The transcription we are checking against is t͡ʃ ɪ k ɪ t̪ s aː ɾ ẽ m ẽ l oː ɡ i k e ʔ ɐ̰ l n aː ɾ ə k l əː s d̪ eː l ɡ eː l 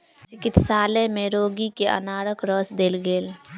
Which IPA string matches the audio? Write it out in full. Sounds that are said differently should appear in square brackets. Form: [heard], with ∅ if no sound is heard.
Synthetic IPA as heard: t͡ʃ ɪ k ɪ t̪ s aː [l] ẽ m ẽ [ɾ] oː ɡ i k e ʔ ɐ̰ [∅] n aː ɾ ə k [ɾ] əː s d̪ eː l ɡ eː l